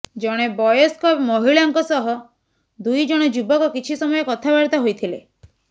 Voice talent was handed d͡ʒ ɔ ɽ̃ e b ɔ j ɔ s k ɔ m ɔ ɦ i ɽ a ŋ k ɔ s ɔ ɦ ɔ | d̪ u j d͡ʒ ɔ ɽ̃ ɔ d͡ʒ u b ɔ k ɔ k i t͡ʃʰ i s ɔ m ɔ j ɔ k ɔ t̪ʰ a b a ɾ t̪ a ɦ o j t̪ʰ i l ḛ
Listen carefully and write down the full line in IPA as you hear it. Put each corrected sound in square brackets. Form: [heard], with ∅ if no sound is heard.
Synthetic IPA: d͡ʒ ɔ ɽ̃ e b ɔ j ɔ s k ɔ m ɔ ɦ i [ɭ] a ŋ k ɔ s ɔ ɦ ɔ | d̪ u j d͡ʒ ɔ ɽ̃ ɔ d͡ʒ u b ɔ k ɔ k i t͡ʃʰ i s ɔ m ɔ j ɔ k ɔ t̪ʰ a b a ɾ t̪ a ɦ o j t̪ʰ i l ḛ